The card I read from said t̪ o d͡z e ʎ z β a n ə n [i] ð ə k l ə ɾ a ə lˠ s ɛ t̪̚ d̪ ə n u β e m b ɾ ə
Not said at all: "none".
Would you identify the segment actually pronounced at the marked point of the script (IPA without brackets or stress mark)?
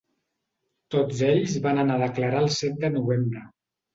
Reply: a